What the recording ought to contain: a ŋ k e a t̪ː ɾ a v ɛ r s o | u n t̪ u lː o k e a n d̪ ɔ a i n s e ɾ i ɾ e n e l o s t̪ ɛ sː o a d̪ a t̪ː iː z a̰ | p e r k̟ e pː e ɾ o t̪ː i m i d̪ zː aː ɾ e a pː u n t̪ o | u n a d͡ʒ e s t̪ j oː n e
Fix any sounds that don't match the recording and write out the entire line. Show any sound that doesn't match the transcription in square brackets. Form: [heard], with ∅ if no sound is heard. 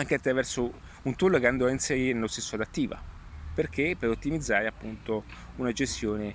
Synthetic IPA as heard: a ŋ k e a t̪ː ɾ a v ɛ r s o | u n t̪ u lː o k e a n d̪ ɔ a i n s e ɾ i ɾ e n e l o s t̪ [e] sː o a d̪ a t̪ː iː [v] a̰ | p e r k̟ e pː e ɾ o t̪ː i m i d̪ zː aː ɾ e a pː u n t̪ o | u n a d͡ʒ e s t̪ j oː n e